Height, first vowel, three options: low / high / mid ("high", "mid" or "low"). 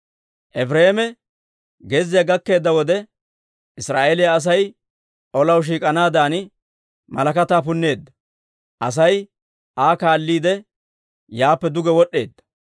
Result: mid